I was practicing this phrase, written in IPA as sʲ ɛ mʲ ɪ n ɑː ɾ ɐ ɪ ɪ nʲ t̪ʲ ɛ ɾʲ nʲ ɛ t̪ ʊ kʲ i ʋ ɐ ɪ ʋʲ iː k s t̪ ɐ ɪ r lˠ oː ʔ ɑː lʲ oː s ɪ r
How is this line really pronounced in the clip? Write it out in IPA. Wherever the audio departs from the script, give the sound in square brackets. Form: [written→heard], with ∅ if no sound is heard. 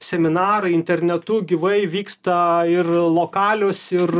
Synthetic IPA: sʲ ɛ mʲ ɪ n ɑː ɾ ɐ ɪ ɪ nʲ t̪ʲ ɛ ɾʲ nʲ ɛ t̪ ʊ [kʲ→ɡʲ] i ʋ ɐ ɪ ʋʲ iː k s t̪ ɐ ɪ r lˠ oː [ʔ→k] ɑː lʲ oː s ɪ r